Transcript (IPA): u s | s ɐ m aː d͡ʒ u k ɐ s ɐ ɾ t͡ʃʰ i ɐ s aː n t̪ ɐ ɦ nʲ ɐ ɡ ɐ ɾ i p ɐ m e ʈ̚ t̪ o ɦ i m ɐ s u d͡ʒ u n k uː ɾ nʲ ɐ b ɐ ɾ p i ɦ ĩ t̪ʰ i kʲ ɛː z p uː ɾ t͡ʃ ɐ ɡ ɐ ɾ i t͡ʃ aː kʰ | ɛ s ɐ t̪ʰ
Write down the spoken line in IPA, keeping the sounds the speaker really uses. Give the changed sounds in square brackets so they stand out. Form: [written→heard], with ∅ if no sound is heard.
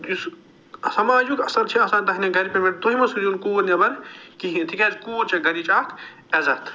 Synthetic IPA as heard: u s | s ɐ m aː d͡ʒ u k ɐ s ɐ ɾ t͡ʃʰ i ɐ s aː n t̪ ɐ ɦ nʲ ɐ ɡ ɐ ɾ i p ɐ m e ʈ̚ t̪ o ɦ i m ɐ s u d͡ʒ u n k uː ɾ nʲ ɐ b ɐ ɾ [p→k] i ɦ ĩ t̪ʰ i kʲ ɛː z [p→k] uː ɾ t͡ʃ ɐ ɡ ɐ ɾ i t͡ʃ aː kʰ | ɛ [s→z] ɐ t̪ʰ